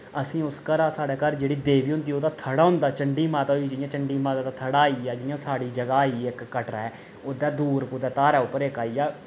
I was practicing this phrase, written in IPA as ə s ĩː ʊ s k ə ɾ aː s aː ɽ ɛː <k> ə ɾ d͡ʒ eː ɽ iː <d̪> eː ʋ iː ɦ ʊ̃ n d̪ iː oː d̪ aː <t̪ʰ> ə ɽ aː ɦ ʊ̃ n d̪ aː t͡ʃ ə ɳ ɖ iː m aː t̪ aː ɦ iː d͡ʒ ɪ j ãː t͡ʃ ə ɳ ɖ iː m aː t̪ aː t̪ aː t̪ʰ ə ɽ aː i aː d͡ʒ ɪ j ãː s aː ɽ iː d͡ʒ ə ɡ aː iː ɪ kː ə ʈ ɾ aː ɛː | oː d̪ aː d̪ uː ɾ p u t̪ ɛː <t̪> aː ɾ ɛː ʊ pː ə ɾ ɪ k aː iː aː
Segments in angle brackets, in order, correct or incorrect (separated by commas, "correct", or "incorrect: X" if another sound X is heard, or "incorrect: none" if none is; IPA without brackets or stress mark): correct, correct, correct, correct